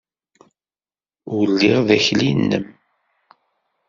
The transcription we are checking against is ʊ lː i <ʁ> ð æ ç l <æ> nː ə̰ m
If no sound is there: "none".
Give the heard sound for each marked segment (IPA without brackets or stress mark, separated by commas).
ʁ, i